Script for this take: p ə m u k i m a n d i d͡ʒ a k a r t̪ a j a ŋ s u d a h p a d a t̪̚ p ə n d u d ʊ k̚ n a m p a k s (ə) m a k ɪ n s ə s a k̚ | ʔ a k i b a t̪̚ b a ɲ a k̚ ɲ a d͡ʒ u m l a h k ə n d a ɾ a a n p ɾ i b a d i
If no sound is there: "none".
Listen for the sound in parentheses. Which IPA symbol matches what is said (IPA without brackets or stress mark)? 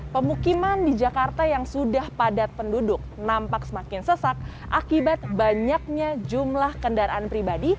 ə